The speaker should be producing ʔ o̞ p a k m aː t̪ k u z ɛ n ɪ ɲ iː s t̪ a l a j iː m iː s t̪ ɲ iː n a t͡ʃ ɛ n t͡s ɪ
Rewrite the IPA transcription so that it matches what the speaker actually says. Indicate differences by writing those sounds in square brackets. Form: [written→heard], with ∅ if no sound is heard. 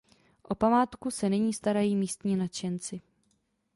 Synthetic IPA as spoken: ʔ o̞ p a [k→∅] m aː t̪ k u [z→s] ɛ n ɪ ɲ iː s t̪ a [l→ɾ] a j iː m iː s t̪ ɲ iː n a t͡ʃ ɛ n t͡s ɪ